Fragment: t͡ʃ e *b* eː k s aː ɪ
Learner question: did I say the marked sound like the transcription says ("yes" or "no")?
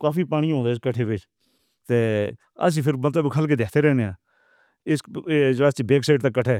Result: yes